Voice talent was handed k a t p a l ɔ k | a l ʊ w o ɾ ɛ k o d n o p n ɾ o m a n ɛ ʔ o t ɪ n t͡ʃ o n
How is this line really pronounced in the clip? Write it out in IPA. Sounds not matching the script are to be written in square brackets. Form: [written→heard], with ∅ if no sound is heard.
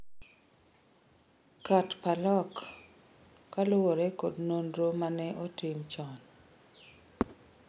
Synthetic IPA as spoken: k a t p a l ɔ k | a l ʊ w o ɾ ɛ k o d n o [p→∅] n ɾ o m a n ɛ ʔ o t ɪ [n→m] t͡ʃ [o→ɔ] n